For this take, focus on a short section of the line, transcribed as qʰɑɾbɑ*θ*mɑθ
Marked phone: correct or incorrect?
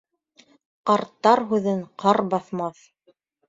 correct